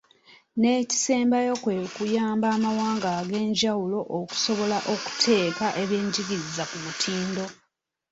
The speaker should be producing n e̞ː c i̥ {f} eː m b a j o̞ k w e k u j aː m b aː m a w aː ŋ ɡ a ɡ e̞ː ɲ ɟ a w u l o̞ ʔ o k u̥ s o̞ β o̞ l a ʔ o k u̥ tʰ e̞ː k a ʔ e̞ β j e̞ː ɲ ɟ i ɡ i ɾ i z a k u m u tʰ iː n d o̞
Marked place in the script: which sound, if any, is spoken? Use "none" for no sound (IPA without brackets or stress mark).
s